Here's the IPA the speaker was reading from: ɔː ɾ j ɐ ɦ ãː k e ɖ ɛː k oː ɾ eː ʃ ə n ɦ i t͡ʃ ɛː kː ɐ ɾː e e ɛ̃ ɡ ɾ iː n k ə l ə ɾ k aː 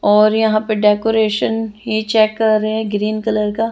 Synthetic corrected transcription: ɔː ɾ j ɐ ɦ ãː p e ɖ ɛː k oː ɾ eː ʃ ə n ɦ i t͡ʃ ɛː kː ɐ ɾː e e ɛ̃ ɡ ɾ iː n k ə l ə ɾ k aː